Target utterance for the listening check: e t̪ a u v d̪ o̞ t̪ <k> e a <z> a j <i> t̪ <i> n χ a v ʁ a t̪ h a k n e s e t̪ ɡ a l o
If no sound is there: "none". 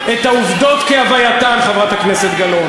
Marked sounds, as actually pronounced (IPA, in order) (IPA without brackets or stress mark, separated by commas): k, v, a, a